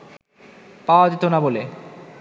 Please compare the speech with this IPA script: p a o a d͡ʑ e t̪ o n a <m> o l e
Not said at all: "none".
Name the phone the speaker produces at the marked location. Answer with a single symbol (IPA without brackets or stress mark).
b